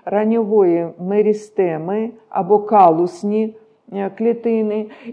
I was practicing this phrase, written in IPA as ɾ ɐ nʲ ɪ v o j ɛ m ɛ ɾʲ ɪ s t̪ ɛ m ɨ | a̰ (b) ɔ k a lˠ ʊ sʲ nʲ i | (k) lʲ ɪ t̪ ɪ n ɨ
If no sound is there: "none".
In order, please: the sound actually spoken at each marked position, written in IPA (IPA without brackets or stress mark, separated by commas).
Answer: b, k